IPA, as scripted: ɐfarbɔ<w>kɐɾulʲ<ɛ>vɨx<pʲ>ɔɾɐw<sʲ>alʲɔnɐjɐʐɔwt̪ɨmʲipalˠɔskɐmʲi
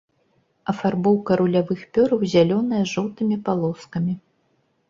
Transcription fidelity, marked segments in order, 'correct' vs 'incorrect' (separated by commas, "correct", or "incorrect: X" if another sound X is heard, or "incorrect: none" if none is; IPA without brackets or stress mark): correct, incorrect: a, correct, incorrect: zʲ